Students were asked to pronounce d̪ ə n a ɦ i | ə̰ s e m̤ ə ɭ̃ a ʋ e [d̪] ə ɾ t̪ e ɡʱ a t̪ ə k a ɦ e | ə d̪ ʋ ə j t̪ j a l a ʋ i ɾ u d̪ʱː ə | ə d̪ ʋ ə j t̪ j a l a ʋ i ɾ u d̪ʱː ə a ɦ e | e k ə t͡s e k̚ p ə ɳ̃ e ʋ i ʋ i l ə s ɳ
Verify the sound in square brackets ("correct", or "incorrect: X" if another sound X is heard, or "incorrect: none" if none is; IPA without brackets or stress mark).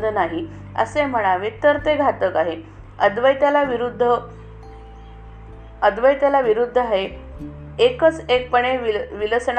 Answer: incorrect: t̪